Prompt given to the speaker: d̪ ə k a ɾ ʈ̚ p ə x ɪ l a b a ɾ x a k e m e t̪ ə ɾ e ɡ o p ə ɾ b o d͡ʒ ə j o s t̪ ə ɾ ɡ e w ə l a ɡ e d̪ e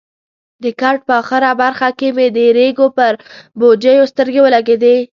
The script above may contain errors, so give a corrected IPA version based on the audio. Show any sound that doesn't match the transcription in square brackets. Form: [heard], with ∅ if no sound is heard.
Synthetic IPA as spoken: d̪ ə k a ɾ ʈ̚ p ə x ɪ [ɾ] a b a ɾ x a k e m e [d̪] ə ɾ e ɡ o p ə ɾ b o d͡ʒ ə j o s t̪ ə ɾ ɡ e w ə l a ɡ e d̪ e